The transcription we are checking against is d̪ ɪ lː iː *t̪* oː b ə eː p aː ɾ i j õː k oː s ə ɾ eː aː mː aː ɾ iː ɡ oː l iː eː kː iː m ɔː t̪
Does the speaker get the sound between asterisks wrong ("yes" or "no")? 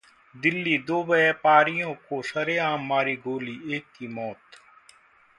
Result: yes